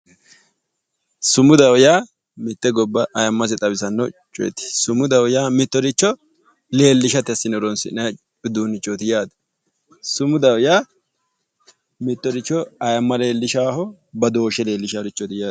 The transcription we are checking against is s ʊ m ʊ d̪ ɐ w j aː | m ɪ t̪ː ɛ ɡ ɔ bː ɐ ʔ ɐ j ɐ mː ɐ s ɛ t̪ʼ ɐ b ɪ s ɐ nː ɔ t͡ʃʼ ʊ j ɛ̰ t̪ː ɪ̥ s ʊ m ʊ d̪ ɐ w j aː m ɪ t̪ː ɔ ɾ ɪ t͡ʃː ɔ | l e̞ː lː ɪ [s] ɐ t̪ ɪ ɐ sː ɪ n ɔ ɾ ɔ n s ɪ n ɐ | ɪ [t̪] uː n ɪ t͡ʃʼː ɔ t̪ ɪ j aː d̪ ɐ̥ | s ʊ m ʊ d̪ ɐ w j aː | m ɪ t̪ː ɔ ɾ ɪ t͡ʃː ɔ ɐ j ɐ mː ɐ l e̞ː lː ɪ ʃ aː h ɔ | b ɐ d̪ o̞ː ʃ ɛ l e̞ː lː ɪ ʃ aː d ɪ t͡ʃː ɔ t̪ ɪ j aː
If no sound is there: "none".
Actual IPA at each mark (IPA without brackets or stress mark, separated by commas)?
ʃ, d̪